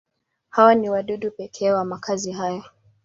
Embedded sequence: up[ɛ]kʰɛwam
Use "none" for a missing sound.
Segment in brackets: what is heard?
ɛ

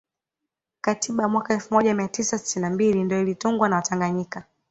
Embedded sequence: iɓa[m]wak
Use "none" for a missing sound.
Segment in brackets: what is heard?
m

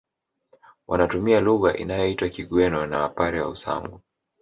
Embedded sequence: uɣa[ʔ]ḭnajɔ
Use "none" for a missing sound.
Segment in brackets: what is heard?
ʔ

